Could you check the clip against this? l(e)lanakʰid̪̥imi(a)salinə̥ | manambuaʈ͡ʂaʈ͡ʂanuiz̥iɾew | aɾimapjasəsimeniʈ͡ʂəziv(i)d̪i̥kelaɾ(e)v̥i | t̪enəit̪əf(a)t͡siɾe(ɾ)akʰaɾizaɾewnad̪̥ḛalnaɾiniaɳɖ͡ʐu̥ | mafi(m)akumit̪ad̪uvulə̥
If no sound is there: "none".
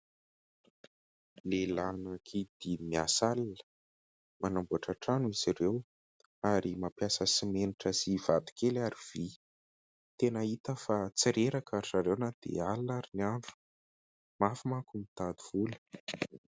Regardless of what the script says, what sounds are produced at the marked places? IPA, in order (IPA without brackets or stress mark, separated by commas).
e, a, a, i, a, ɾ, m